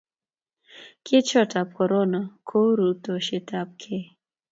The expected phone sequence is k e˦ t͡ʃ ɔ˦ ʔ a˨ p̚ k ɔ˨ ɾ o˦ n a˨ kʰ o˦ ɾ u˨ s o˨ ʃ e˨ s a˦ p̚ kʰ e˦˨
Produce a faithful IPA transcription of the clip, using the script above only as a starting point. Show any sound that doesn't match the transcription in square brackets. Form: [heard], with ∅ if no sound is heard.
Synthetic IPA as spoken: k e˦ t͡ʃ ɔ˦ [t] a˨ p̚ k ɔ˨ ɾ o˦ n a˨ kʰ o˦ ɾ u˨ [t] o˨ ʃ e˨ [t] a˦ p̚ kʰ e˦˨